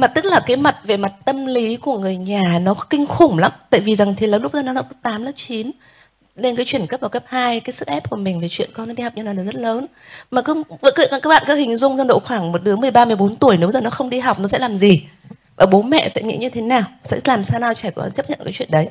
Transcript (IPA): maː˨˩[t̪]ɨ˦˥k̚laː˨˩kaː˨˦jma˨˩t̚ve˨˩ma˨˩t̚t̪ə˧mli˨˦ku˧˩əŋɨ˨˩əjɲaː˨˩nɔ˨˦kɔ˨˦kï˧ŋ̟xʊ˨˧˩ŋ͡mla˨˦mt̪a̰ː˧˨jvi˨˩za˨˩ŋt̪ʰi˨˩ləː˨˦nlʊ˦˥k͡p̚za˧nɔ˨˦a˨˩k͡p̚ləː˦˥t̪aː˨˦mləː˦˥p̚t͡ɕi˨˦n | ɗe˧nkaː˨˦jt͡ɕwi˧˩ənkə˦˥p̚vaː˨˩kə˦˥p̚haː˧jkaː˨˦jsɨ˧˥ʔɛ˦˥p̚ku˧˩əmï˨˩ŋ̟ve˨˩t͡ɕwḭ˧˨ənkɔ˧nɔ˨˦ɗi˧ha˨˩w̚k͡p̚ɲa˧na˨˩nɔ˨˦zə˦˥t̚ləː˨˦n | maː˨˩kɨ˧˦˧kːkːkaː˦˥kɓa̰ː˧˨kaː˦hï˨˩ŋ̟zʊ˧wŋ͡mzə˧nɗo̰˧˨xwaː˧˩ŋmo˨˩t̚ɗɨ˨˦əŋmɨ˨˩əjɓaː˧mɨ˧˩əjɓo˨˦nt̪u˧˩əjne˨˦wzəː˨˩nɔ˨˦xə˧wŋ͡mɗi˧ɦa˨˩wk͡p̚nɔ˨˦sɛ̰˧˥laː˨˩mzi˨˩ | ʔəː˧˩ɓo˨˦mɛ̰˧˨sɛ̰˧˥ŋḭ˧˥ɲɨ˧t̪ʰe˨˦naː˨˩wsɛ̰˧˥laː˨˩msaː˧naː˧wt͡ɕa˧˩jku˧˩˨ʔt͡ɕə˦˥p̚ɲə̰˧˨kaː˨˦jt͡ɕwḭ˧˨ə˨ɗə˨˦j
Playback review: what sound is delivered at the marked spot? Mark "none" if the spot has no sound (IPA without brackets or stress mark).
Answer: t̪